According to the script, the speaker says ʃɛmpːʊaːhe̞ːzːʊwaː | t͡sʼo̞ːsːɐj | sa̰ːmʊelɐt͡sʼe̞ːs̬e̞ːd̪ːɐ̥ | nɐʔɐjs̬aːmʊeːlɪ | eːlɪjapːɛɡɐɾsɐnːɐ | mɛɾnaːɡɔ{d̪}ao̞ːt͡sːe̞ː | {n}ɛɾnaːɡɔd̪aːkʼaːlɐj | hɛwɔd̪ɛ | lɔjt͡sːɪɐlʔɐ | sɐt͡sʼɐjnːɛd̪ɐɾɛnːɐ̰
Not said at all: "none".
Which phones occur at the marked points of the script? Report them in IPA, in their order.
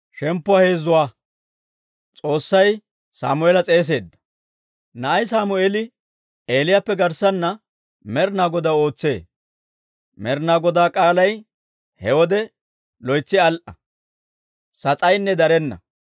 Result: d̪, m

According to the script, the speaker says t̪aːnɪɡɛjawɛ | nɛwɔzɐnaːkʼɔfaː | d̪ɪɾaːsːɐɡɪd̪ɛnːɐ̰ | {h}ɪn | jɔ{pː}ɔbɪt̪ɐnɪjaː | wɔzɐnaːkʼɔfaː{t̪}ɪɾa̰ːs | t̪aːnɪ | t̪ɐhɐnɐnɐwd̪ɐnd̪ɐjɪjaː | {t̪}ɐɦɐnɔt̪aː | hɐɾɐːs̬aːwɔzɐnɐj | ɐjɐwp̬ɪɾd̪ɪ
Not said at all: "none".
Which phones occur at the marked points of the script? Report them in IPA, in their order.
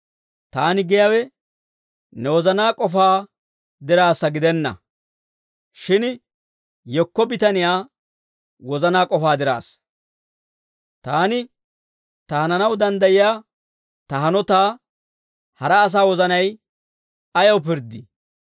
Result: ʃ, kː, d̪, t̪

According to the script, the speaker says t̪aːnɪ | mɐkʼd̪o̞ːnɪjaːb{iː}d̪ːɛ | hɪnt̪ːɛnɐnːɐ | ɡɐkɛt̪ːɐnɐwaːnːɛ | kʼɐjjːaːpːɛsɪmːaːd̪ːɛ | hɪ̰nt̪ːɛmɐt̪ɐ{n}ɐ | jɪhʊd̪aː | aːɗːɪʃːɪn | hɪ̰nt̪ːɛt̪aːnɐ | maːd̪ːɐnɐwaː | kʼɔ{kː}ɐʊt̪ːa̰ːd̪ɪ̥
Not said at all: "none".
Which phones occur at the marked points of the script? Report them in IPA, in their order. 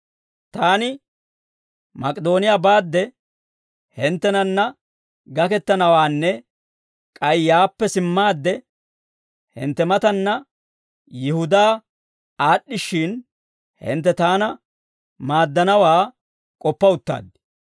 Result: aː, nː, pː

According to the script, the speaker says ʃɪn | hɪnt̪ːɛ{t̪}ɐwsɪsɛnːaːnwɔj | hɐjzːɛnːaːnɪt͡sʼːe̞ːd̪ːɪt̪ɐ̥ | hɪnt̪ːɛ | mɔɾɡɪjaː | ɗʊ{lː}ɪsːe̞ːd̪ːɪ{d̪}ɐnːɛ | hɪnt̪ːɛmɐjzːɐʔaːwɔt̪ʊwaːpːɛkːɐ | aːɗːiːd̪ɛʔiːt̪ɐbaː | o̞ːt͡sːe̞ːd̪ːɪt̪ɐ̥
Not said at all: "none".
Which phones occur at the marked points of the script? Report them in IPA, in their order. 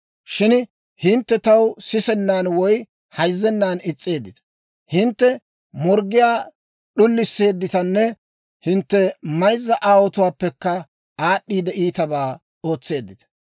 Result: t̪, lː, t̪

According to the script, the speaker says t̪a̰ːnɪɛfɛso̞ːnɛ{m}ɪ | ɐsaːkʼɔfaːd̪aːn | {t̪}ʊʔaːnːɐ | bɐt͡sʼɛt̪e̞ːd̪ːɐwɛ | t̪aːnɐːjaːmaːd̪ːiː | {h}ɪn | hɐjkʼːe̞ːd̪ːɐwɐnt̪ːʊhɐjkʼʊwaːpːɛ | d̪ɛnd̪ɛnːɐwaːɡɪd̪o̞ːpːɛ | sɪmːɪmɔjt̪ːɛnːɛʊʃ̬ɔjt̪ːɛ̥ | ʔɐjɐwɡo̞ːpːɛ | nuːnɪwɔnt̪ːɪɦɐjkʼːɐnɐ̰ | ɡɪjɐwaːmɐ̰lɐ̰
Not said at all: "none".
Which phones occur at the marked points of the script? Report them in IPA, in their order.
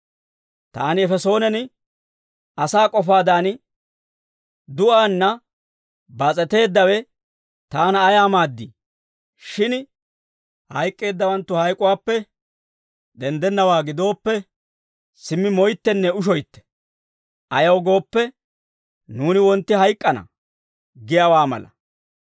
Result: n, d̪, ʃ

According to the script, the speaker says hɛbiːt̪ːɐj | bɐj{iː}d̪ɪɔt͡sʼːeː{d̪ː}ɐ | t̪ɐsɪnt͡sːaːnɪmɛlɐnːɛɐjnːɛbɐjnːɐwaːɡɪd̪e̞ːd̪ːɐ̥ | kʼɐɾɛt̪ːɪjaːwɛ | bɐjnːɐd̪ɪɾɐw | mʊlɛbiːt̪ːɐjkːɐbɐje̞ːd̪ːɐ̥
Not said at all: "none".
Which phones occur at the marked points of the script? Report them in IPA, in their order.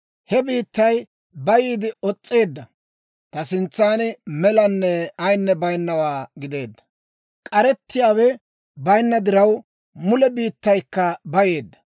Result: iː, d̪ː

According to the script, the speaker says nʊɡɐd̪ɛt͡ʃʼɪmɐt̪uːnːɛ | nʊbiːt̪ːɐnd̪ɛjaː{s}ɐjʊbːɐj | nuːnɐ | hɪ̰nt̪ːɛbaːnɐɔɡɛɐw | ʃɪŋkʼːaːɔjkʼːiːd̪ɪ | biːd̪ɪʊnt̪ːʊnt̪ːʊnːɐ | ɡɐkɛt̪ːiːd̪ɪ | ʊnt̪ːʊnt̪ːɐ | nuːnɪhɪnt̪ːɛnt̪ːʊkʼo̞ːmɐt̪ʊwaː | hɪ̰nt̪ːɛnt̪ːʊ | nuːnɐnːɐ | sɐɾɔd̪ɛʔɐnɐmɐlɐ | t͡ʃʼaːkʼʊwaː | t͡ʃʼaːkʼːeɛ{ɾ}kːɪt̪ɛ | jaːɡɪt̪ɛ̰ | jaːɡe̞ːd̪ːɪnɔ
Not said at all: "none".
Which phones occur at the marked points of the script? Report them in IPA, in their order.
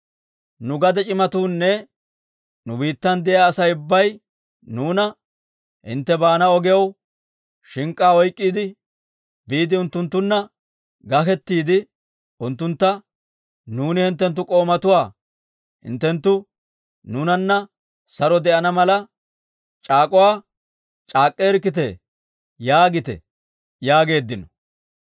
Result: s, ɾ

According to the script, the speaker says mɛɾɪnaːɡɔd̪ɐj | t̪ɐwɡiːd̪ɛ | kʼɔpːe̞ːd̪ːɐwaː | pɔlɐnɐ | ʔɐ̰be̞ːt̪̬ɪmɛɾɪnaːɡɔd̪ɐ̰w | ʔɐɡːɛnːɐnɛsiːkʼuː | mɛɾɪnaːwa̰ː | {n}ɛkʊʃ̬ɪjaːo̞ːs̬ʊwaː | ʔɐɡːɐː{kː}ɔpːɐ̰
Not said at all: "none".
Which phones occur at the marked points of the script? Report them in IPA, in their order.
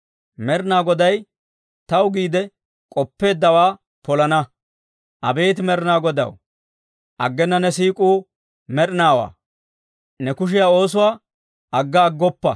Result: n, ɡː

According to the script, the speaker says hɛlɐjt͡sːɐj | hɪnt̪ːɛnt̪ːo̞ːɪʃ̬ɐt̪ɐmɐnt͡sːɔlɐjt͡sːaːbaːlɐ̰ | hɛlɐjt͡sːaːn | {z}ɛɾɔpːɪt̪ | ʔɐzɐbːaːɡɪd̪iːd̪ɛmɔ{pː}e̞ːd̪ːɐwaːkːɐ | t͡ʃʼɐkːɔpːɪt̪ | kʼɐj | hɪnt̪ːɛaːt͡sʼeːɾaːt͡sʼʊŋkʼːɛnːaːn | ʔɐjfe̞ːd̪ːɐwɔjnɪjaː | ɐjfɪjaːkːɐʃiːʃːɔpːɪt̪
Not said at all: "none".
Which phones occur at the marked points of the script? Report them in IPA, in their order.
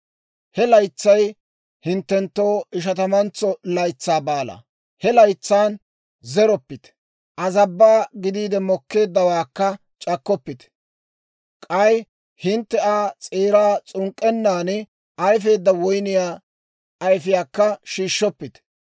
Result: z, kː

